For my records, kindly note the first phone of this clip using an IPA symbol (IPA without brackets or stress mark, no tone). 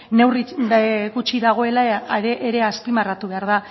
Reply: n